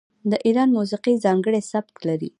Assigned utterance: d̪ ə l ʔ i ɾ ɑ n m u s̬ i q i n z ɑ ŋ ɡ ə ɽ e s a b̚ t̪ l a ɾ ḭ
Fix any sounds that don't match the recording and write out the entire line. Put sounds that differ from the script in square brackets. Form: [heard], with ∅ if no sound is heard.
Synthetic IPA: d̪ ə [∅] ʔ i ɾ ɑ n m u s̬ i q i [∅] z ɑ ŋ ɡ ə ɽ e s a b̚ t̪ l a ɾ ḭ